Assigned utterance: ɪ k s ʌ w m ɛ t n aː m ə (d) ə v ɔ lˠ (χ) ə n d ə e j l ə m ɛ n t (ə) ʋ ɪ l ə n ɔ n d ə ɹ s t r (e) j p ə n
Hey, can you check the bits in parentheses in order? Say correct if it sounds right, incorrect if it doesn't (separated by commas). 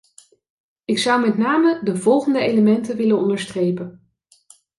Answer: correct, correct, correct, correct